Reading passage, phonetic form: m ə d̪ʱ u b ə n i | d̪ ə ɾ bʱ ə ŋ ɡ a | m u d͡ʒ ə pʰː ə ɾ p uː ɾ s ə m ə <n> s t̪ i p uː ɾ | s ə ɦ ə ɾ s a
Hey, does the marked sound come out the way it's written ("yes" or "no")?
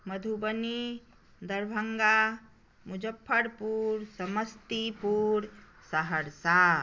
no